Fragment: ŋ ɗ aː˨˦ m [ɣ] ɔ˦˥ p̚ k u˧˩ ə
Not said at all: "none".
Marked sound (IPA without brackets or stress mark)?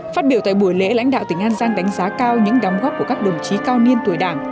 ɣ